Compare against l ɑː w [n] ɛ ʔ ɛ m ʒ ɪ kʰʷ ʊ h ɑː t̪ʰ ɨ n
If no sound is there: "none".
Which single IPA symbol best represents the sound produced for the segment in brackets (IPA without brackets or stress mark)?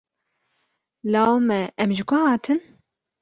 m